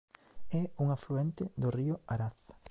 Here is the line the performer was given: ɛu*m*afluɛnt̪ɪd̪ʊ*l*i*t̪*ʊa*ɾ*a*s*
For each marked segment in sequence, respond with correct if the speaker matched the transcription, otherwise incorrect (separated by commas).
incorrect, incorrect, incorrect, correct, incorrect